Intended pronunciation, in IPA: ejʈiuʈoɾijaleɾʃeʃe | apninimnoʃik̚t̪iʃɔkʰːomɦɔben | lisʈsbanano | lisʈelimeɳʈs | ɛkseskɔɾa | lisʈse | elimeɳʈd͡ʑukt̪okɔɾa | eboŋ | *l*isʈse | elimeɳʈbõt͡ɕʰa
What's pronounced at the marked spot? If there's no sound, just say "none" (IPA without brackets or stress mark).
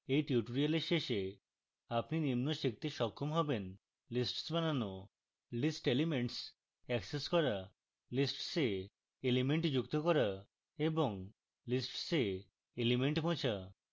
l